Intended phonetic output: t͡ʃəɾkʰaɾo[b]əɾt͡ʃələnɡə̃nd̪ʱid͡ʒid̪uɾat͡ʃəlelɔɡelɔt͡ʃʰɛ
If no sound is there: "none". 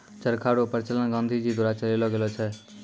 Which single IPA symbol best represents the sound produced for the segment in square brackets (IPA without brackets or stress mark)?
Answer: p